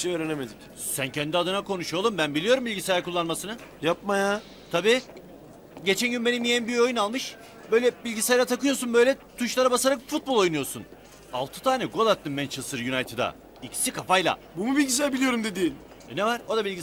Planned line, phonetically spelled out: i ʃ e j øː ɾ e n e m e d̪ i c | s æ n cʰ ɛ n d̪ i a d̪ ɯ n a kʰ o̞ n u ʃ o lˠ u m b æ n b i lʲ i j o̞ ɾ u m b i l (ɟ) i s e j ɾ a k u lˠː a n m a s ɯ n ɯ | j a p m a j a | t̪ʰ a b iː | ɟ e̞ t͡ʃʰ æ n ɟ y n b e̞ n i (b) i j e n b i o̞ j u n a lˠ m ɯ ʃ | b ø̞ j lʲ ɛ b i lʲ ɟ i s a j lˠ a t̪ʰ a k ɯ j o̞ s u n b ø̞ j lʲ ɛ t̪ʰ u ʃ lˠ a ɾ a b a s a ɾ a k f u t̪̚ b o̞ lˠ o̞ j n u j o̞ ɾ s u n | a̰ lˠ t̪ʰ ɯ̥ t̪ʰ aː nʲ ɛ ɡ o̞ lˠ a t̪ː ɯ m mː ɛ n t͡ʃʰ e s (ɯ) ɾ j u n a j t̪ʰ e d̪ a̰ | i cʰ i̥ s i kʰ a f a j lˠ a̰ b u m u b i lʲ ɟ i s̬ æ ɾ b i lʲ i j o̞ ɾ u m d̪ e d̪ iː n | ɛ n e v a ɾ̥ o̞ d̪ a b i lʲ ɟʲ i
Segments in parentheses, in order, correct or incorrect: correct, incorrect: m, correct

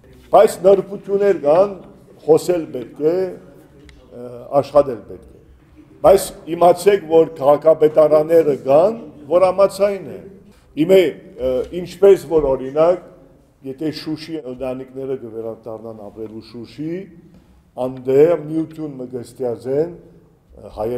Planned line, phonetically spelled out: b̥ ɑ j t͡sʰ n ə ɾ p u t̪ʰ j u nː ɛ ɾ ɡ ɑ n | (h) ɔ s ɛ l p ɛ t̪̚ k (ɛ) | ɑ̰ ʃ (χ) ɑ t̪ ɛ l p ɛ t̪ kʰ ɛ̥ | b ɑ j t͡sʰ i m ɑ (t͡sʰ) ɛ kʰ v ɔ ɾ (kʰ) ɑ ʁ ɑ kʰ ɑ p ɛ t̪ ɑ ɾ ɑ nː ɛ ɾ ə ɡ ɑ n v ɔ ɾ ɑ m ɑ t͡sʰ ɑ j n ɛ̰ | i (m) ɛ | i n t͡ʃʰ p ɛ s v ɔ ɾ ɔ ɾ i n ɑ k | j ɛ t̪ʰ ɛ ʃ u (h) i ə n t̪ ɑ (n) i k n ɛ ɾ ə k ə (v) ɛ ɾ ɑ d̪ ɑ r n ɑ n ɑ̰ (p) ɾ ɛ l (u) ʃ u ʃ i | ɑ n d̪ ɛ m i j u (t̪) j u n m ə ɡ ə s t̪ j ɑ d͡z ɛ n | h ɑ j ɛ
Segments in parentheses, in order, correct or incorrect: incorrect: χ, correct, correct, correct, correct, correct, incorrect: ʃ, correct, correct, correct, correct, incorrect: t̪ʰ

